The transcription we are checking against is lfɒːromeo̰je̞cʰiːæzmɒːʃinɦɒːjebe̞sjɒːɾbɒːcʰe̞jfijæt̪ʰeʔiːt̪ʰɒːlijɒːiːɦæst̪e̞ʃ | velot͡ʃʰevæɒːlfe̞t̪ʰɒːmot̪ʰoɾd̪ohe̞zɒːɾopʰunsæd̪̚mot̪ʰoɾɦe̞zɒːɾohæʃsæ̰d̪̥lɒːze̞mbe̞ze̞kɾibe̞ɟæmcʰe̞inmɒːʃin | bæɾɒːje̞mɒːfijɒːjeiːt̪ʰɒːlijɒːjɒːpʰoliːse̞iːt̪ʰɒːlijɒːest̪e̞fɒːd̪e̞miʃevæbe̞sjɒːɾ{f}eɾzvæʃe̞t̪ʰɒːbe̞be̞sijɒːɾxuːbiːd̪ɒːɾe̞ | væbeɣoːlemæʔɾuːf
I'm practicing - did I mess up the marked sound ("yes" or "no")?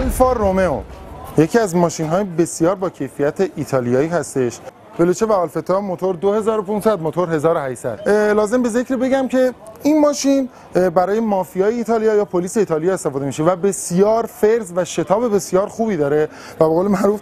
no